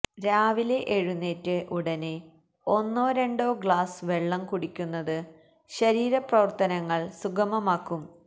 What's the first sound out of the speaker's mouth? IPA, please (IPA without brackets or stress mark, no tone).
ɾ